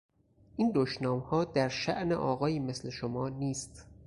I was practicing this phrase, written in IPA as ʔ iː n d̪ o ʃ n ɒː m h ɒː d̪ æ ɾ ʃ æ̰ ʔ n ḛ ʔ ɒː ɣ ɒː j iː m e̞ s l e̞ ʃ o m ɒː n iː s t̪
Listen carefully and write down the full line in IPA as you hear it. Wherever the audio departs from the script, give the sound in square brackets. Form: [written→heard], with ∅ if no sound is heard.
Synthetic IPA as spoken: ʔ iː n d̪ o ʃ n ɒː m h ɒː d̪ æ ɾ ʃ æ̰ ʔ n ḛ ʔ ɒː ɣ ɒː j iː m e̞ s l e̞ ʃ o m ɒː n iː s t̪